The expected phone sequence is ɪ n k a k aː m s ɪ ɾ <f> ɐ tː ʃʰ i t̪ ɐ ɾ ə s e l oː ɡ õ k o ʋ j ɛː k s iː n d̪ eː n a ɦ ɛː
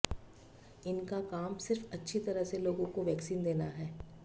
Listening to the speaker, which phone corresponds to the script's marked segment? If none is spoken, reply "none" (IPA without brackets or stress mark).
f